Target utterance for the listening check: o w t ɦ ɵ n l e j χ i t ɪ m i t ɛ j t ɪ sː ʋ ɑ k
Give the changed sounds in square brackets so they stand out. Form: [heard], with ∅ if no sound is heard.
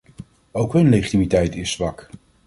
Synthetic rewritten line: o w [k] ɦ ɵ n l e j χ i t [i] m i t ɛ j t ɪ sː ʋ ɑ k